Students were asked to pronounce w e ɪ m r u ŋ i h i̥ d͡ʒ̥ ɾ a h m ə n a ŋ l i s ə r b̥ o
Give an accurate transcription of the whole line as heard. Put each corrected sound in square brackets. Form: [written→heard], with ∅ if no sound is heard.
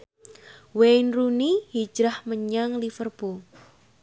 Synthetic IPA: w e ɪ [m→n] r u [ŋ→n] i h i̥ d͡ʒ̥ ɾ a h m ə [n→ɲ] a ŋ l i [s→f] ə r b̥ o